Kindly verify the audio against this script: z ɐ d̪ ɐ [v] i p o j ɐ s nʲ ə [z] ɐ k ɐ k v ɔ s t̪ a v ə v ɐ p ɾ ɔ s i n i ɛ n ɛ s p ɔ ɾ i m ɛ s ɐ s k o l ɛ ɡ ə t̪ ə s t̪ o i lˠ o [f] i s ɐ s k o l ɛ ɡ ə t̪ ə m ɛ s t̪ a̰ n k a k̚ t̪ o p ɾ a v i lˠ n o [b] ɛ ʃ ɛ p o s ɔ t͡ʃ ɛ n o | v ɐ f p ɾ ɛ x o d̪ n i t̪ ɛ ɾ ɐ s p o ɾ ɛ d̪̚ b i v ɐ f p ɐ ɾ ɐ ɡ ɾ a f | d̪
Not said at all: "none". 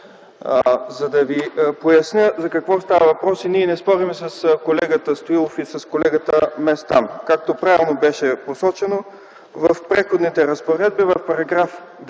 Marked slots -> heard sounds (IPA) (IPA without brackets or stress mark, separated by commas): v, z, f, b